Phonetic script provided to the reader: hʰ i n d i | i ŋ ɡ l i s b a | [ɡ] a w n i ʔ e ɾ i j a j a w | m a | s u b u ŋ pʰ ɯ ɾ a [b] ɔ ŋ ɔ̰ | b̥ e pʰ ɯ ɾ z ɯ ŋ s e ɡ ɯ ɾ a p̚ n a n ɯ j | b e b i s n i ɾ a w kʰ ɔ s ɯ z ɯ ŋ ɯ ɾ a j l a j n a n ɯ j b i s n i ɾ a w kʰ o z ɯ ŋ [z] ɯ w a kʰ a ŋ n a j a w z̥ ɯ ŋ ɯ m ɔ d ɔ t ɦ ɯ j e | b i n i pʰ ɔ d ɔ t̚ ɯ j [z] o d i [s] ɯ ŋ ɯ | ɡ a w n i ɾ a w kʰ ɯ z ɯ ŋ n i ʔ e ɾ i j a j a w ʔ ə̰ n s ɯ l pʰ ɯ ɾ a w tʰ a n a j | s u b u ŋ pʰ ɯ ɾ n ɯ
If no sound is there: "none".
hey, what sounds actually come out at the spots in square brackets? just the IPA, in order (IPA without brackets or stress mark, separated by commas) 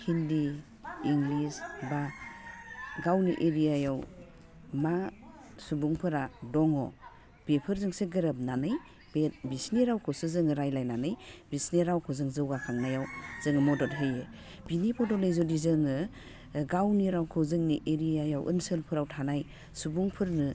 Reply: ɡ, d, z, z, z